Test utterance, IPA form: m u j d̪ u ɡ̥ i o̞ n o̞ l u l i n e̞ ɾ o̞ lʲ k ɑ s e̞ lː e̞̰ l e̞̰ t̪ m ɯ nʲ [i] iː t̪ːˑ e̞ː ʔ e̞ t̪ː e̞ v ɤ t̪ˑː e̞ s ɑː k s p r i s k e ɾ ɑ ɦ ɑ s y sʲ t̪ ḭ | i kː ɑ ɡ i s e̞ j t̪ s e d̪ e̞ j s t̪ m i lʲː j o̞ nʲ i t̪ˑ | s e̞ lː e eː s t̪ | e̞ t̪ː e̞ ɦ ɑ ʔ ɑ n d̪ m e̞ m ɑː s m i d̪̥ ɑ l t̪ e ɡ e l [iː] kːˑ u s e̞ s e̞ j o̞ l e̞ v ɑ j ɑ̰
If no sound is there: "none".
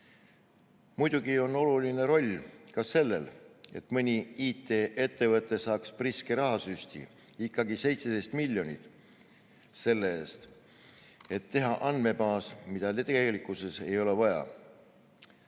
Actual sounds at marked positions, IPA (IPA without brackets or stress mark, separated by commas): i, i